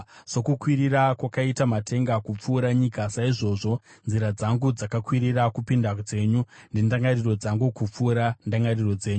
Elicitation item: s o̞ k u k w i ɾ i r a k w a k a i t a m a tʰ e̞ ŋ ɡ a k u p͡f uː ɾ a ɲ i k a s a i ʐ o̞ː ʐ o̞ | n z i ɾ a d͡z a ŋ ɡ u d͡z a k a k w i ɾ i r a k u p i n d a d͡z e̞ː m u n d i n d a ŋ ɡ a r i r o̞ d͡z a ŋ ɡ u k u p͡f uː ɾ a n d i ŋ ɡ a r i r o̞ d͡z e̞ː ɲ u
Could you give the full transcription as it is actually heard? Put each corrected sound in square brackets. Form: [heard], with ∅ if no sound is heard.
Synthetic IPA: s o̞ k u k w i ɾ i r a k w a k a i t a m a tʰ e̞ ŋ ɡ a k u p͡f uː ɾ a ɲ i k a s a i ʐ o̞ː ʐ o̞ | n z i ɾ a d͡z a ŋ ɡ u d͡z a k a k w i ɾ i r a k u p i n d a d͡z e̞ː [ɲ] u n d i n d a ŋ ɡ a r i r o̞ d͡z a ŋ ɡ u k u p͡f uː ɾ a n d [a] ŋ ɡ a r i r o̞ d͡z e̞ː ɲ u